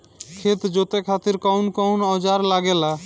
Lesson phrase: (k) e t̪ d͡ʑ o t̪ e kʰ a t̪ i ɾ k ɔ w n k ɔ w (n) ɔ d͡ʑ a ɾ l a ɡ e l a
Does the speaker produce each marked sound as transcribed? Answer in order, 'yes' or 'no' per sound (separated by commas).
no, yes